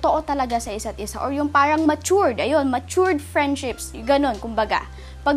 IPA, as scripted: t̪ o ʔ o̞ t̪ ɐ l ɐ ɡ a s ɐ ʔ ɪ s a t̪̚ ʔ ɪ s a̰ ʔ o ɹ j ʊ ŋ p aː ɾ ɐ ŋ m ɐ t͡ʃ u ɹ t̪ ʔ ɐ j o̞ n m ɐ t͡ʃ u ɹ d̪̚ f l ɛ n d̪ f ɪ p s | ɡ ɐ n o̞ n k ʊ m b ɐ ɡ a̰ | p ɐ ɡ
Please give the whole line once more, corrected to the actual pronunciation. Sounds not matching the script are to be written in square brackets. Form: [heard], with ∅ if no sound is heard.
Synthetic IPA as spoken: t̪ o ʔ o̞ t̪ ɐ l ɐ ɡ a s ɐ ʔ ɪ s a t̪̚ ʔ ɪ s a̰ ʔ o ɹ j ʊ ŋ p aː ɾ ɐ ŋ m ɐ t͡ʃ u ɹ [d̪] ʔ ɐ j o̞ n m ɐ t͡ʃ u ɹ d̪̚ f [ɹ] ɛ n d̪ [ʃ] ɪ p s | ɡ ɐ n o̞ n k ʊ m b ɐ ɡ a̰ | p ɐ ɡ